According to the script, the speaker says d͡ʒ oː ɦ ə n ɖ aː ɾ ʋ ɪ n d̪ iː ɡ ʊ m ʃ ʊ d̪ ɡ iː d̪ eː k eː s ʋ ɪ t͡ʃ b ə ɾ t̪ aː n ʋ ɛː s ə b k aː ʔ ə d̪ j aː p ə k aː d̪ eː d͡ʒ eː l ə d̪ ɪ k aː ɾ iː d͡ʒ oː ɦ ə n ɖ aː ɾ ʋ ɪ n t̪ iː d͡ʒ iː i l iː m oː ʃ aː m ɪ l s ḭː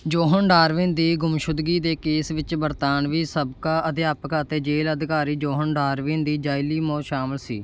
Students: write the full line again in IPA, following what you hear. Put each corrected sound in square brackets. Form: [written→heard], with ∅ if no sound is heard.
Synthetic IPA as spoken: d͡ʒ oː ɦ ə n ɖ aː ɾ ʋ ɪ n d̪ iː ɡ ʊ m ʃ ʊ d̪ ɡ iː d̪ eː k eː s ʋ ɪ t͡ʃ b ə ɾ t̪ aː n ʋ [ɛː→iː] s ə b k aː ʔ ə d̪ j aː p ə k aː [d̪→t̪] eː d͡ʒ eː l ə d̪ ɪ k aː ɾ iː d͡ʒ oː ɦ ə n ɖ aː ɾ ʋ ɪ n [t̪→d̪] iː d͡ʒ [iː→aː] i l iː m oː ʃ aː m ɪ l s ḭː